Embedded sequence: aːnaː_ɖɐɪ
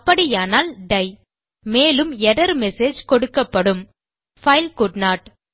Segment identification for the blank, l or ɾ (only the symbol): l